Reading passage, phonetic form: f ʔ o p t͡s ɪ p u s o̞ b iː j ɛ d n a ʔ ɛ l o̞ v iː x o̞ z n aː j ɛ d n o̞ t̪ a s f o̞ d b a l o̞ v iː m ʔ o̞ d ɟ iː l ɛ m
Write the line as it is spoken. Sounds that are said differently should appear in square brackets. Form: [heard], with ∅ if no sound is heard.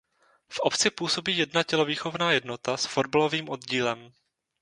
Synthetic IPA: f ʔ o p t͡s ɪ p [uː] s o̞ b iː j ɛ d n a [c] ɛ l o̞ v iː x o̞ [v] n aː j ɛ d n o̞ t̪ a s f o̞ d b a l o̞ v iː m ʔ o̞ d ɟ iː l ɛ m